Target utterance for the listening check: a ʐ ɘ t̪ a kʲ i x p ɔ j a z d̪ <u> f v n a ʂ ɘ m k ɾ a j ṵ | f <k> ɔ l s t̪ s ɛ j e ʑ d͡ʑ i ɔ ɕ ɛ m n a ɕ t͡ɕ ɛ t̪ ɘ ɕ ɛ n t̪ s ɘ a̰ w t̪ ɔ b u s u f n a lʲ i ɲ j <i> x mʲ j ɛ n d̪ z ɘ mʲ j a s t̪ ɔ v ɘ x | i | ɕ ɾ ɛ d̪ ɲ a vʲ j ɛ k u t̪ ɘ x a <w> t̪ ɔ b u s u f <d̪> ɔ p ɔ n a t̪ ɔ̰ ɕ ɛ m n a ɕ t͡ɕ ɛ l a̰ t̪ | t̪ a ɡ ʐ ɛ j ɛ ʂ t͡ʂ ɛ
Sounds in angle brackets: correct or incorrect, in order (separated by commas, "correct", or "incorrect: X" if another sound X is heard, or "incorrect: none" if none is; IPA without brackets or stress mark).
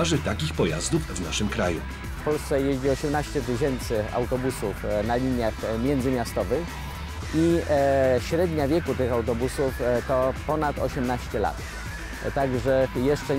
correct, incorrect: p, incorrect: a, correct, incorrect: t̪